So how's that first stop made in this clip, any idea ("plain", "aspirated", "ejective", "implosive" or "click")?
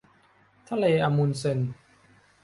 aspirated